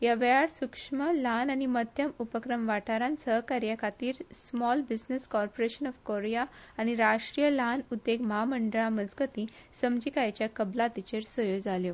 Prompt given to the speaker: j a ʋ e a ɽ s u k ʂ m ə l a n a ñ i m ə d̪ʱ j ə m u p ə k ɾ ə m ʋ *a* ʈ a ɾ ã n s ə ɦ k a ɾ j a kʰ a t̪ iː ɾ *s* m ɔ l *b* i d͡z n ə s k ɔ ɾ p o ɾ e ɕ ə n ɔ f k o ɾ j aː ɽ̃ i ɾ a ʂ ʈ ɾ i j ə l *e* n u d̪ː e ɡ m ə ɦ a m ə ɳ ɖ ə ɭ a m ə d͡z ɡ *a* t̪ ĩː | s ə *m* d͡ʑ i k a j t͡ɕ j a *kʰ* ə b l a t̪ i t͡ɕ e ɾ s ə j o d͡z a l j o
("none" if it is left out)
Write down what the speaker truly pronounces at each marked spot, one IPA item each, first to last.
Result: a, s, b, a, ə, m, k

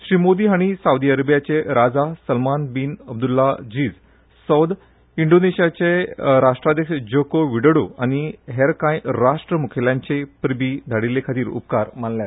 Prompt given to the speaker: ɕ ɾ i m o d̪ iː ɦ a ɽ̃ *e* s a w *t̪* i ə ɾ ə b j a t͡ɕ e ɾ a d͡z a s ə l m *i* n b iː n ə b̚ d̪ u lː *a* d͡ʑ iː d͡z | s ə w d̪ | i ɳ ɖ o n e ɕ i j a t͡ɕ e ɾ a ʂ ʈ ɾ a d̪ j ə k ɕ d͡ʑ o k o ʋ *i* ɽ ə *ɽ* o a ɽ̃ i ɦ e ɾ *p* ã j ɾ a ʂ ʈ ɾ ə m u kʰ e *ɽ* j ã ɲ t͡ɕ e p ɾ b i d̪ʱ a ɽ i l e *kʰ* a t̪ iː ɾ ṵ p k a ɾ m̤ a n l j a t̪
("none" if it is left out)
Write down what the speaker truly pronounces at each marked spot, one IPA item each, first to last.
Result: i, d̪, a, a, i, ɽ, k, l, kʰ

